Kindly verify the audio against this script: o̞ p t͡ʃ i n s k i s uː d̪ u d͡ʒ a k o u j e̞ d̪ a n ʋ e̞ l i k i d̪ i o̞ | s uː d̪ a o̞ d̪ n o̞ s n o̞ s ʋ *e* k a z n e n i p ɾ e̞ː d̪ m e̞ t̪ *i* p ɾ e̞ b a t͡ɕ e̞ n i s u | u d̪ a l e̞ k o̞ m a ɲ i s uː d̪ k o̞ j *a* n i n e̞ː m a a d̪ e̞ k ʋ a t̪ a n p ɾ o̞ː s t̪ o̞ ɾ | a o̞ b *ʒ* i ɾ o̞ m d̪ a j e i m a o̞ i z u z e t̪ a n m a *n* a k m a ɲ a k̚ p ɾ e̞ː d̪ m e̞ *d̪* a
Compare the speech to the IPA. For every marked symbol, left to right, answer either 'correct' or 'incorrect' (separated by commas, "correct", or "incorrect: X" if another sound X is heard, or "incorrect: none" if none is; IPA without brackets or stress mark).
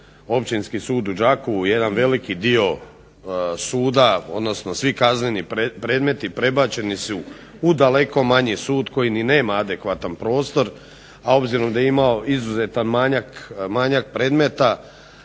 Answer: incorrect: i, correct, incorrect: i, incorrect: z, incorrect: ɲ, incorrect: t̪